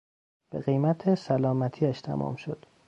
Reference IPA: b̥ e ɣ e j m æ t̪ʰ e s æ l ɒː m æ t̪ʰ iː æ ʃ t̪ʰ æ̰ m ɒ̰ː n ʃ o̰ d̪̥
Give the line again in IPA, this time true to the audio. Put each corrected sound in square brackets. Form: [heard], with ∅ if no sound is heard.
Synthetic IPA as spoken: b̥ e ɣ e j m æ t̪ʰ e s æ l ɒː m æ t̪ʰ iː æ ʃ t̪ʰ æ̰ m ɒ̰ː [m] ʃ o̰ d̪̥